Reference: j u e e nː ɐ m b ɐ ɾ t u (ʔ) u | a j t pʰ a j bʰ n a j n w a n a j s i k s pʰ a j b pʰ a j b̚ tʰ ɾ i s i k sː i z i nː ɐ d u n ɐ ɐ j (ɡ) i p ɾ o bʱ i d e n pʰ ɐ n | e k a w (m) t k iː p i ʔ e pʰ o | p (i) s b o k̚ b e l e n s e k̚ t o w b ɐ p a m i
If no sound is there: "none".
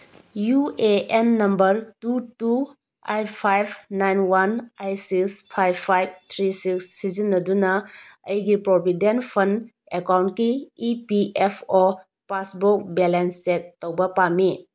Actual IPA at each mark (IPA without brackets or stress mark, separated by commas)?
t, ɡ, n, a